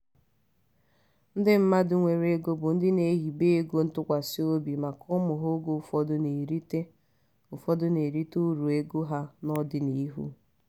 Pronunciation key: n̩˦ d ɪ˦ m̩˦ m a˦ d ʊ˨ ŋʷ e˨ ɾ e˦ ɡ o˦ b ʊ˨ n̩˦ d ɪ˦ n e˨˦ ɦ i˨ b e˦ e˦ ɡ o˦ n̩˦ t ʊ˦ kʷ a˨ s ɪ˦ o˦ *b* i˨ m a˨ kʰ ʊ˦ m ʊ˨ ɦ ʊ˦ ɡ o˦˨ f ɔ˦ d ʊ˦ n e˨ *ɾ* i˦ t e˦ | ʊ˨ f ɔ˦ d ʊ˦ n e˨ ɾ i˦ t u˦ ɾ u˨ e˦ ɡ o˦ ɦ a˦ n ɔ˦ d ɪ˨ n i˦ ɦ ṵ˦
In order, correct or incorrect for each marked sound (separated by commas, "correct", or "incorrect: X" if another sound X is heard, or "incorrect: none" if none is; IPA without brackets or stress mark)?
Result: correct, correct